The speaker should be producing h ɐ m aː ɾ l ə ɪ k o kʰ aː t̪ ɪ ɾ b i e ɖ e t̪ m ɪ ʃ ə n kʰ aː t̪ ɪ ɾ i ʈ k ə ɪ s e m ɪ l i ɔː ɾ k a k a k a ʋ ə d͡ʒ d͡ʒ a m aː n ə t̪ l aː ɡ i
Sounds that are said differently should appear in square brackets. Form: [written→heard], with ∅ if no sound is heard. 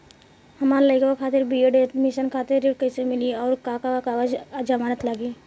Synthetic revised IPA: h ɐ m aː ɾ l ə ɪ k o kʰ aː t̪ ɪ ɾ b i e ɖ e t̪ m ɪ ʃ ə n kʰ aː t̪ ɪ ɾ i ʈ k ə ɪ s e m ɪ l i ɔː ɾ k a k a k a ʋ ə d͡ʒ d͡ʒ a m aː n ə t̪ l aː ɡ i